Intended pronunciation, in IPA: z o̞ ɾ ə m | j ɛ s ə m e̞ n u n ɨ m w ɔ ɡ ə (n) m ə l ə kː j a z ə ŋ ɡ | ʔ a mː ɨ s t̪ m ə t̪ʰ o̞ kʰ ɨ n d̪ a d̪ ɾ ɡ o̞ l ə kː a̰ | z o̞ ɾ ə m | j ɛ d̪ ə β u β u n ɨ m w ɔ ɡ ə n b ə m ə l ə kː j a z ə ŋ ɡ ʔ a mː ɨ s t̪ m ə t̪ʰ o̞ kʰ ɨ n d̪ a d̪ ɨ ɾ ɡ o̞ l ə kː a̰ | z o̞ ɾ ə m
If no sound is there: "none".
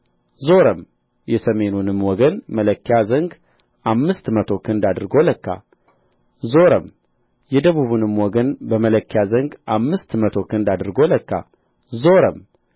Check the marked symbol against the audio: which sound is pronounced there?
n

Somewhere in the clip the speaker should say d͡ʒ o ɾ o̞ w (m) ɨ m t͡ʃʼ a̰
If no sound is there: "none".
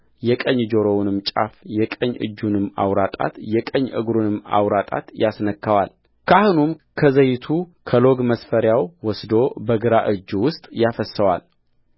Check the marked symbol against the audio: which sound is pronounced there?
n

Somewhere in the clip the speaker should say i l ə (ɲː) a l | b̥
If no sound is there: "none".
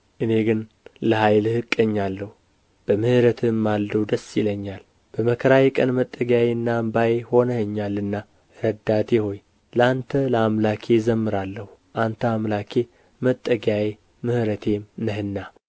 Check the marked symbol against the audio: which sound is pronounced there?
ɲː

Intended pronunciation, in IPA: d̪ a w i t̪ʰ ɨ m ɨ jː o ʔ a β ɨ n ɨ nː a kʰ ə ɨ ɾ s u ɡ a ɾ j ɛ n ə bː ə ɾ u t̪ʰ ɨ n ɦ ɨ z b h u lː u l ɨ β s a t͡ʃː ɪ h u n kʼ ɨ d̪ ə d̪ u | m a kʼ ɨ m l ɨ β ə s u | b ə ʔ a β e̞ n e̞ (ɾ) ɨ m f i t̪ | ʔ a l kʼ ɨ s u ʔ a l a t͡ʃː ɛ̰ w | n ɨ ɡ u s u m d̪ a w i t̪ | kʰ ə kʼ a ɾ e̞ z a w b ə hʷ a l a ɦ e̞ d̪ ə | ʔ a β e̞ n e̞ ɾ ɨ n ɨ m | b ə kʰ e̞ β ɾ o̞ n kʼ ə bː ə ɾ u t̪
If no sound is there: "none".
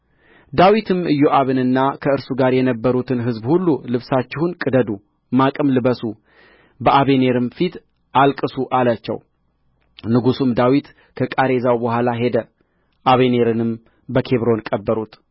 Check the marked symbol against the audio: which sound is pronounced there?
ɾ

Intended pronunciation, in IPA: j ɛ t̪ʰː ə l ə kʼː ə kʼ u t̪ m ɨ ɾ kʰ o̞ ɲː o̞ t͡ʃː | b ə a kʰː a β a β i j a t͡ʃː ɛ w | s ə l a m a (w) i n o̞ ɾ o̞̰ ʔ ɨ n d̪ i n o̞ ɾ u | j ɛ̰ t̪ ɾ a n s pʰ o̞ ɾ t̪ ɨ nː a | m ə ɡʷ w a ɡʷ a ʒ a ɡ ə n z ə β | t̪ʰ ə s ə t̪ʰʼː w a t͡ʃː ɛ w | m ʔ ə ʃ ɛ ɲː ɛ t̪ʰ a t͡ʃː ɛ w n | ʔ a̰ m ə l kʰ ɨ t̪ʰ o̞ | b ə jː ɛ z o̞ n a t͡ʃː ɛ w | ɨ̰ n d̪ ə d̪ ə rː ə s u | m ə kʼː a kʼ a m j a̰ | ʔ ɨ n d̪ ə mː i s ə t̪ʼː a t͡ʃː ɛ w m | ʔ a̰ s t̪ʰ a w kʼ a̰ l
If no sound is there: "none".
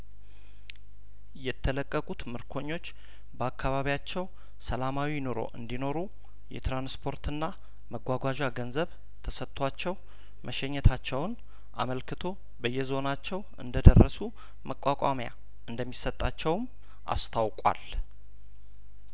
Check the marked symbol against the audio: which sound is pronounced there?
w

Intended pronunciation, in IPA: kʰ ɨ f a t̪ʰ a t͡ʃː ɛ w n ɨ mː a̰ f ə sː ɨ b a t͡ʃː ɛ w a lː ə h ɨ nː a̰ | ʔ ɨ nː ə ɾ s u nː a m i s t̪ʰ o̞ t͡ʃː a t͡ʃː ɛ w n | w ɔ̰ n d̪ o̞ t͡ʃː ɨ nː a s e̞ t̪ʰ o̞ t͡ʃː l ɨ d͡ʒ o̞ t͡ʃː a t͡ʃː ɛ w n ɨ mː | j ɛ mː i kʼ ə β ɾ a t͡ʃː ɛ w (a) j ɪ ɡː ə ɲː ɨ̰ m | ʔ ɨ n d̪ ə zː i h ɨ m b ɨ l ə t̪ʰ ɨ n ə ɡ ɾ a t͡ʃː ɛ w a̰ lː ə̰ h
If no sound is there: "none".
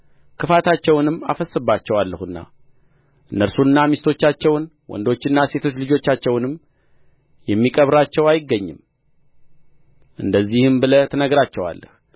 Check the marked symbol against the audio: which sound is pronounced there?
a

